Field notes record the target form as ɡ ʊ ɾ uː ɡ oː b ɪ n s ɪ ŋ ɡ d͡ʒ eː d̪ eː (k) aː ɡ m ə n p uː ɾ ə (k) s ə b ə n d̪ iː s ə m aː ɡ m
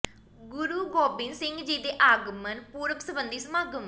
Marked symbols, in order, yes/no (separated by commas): no, yes